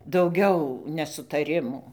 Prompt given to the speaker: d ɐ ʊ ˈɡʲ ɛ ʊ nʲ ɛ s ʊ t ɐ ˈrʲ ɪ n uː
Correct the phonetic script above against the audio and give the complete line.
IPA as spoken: d ɐ ʊ ˈɡʲ ɛ ʊ nʲ ɛ s ʊ t ɐ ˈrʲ ɪ m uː